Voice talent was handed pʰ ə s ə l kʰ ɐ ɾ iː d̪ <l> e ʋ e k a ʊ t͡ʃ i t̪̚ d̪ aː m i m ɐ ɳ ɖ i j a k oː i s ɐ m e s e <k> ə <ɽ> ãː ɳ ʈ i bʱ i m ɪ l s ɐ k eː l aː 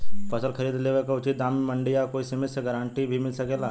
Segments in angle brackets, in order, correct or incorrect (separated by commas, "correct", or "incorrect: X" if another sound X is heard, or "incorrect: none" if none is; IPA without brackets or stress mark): correct, incorrect: ɡ, incorrect: ɾ